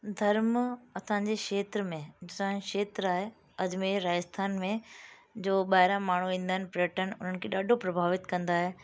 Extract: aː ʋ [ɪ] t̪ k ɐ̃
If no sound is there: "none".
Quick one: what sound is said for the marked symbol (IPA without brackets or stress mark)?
ɪ